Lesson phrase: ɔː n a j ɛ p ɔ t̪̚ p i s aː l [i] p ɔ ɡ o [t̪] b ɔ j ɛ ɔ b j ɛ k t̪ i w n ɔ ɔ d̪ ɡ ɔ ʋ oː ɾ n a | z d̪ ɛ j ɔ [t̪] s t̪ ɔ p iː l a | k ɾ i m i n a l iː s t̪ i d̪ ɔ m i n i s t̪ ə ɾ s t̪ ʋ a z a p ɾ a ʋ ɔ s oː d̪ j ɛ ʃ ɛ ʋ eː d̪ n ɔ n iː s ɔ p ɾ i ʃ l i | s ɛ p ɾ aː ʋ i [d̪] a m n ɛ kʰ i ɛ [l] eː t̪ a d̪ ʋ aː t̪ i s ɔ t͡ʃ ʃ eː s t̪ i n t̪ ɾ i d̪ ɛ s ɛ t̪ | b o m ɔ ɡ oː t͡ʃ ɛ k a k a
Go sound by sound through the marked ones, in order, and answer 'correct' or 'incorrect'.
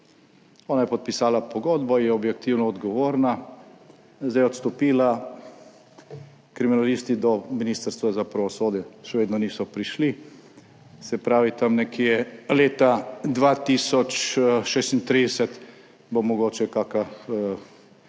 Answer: incorrect, incorrect, correct, incorrect, correct

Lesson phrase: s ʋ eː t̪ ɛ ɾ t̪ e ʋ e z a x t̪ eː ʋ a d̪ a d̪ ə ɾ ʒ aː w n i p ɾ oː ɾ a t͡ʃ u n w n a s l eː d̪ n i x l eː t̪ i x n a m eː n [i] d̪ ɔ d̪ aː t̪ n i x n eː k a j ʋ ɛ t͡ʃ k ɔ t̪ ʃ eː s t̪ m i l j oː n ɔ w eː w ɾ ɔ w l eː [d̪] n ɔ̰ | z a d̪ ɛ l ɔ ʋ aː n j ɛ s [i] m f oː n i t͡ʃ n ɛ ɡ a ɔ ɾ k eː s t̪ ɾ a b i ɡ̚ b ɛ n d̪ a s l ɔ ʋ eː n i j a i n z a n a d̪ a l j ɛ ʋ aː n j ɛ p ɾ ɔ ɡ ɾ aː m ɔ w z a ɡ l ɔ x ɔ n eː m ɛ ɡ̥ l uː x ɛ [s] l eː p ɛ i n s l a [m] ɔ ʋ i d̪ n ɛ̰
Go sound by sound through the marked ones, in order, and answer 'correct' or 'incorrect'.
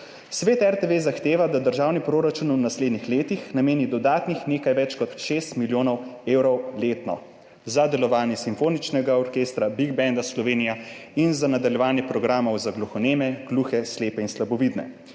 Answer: correct, incorrect, correct, correct, incorrect

